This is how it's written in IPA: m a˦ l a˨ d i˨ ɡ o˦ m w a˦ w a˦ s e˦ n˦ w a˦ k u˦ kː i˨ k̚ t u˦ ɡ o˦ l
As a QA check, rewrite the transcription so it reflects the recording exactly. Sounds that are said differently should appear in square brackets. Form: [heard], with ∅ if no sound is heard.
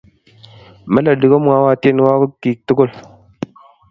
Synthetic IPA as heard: m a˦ l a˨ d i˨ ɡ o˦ m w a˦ w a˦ [t] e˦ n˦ w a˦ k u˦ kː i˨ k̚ t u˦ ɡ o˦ l